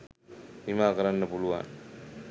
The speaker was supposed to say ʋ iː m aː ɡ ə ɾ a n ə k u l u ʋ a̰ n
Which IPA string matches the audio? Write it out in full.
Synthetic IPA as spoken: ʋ i m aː k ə ɾ a nː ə p u l u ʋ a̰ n